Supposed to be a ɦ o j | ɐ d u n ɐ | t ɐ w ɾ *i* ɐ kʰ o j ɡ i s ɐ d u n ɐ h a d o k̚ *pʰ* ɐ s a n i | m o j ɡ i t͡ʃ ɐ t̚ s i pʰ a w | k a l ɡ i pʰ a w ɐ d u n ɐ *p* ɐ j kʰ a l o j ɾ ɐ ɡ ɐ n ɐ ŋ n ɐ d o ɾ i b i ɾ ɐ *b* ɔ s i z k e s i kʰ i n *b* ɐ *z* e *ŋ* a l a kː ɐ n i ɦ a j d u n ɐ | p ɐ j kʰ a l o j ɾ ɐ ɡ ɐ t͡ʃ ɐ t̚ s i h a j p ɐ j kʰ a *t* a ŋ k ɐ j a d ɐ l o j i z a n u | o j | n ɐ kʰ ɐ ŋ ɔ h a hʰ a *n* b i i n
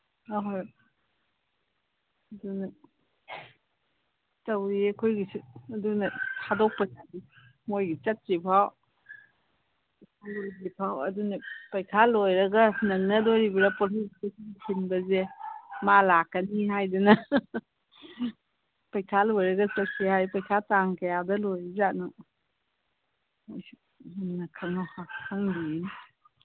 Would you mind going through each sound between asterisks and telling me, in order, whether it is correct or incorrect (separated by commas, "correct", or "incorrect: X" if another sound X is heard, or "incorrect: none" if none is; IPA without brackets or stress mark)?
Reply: correct, incorrect: p, correct, incorrect: p, correct, correct, incorrect: m, correct, incorrect: ŋ